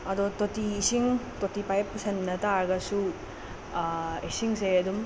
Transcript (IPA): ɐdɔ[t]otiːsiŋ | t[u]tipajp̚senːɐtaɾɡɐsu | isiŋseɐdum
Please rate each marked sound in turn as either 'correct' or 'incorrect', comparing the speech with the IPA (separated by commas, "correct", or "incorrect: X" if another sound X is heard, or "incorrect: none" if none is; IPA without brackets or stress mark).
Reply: correct, incorrect: o